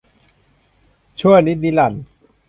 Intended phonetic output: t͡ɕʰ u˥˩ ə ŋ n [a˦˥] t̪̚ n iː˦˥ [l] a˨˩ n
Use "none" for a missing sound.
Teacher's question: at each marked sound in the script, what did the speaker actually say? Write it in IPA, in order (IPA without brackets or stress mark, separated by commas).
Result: i˦˥, l